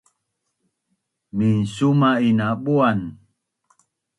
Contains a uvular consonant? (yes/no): no